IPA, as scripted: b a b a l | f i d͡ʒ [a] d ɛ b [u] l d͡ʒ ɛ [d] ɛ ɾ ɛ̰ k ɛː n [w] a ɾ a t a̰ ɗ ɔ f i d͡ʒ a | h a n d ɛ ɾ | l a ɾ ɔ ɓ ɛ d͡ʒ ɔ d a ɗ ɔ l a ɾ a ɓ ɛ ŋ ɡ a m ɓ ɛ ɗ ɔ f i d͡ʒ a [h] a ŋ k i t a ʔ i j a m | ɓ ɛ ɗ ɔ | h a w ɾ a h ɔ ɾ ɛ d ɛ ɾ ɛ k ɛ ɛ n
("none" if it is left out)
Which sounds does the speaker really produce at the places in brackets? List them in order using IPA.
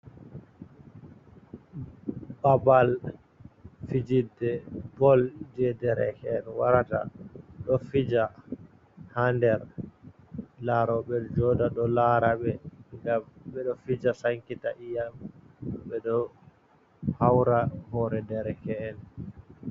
i, ɔ, d, w, s

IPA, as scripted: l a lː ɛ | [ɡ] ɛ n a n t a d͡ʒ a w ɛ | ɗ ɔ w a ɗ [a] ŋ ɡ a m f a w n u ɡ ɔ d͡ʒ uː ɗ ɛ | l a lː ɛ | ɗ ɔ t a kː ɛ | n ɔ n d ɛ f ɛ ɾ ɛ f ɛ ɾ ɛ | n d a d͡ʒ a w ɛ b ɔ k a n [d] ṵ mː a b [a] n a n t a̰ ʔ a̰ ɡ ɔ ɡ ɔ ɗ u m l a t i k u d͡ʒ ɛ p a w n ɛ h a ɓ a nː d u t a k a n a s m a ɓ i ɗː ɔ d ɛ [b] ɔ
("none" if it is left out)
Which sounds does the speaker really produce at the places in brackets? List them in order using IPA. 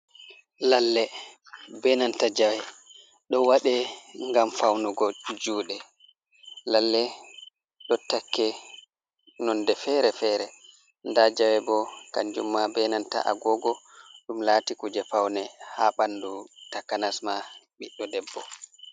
b, ɛ, d͡ʒ, ɛ, bː

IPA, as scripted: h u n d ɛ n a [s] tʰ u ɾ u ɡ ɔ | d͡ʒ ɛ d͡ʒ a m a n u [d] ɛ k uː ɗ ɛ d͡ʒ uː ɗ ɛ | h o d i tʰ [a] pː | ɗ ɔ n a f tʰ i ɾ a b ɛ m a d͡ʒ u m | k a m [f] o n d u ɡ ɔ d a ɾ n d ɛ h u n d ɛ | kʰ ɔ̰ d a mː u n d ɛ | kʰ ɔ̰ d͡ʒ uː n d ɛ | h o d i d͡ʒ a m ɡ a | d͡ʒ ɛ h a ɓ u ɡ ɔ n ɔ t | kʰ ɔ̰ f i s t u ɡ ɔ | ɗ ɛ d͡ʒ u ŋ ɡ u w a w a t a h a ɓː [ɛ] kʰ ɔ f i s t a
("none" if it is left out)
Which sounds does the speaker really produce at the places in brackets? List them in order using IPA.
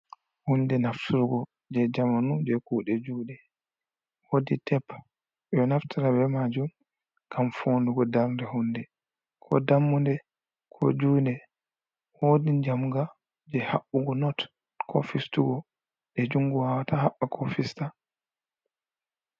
f, d͡ʒ, ɛ, f, a

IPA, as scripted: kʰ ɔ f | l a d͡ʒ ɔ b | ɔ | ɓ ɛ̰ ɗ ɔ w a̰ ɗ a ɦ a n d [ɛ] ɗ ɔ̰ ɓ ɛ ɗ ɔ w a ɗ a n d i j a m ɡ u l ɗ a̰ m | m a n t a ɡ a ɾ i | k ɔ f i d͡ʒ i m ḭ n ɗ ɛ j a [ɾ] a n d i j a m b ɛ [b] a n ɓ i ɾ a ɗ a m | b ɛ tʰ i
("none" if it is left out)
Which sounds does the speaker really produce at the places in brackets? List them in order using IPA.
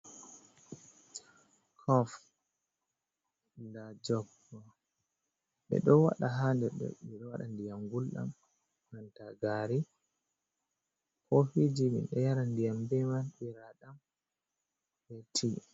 ɛ, ɾ, m

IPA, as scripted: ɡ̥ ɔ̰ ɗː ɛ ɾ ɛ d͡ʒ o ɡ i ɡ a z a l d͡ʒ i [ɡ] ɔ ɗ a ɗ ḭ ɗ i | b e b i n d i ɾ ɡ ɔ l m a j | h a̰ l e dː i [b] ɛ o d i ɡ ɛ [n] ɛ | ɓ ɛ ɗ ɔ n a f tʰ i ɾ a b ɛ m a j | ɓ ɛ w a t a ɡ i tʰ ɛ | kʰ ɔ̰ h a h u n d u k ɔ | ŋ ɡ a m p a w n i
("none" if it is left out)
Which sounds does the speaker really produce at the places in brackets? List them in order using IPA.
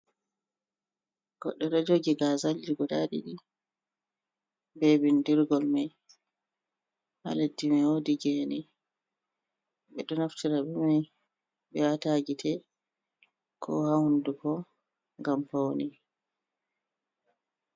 ɡ, m, n

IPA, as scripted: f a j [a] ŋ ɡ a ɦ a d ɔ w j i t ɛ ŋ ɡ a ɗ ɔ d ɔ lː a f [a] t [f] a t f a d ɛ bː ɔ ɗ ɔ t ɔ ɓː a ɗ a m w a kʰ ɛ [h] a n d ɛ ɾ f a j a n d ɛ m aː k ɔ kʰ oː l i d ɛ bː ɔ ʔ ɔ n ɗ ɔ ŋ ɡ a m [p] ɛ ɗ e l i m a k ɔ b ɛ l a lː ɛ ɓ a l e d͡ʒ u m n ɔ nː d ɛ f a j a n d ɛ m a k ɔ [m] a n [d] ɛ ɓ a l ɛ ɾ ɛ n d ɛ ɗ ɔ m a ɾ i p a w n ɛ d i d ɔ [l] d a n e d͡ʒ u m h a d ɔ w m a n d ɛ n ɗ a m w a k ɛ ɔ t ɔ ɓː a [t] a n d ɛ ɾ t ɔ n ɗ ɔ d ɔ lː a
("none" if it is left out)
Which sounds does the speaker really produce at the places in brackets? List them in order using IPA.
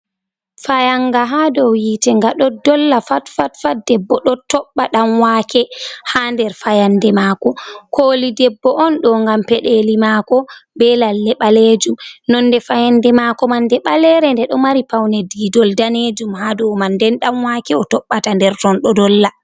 a, a, f, h, p, m, d, l, t

